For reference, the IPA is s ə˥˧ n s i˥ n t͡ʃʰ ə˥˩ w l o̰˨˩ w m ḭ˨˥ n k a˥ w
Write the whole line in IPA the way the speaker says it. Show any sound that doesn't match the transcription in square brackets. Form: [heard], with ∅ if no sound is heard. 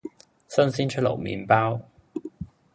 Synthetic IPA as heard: s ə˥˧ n s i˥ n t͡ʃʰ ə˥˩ [∅] l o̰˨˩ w m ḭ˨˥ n [p] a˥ w